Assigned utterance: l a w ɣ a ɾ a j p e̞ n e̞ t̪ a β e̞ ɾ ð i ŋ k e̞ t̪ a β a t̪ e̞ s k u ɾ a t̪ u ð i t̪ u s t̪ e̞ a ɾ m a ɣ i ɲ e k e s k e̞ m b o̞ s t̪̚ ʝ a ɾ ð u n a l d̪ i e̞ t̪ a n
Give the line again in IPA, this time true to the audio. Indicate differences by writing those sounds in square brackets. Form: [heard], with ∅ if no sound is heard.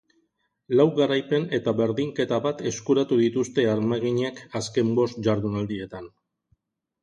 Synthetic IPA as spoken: l a w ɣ a ɾ a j p e̞ n e̞ t̪ a β e̞ ɾ ð i ŋ k e̞ t̪ a β a t̪ e̞ s k u ɾ a t̪ u ð i t̪ u s t̪ e̞ a ɾ m a ɣ i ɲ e k [a] s k e̞ m b o̞ s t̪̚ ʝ a ɾ ð u n a l d̪ i e̞ t̪ a n